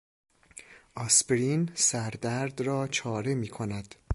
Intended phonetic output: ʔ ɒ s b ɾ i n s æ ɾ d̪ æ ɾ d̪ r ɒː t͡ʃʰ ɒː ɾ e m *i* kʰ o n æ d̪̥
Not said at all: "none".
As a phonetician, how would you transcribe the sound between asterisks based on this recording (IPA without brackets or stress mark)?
iː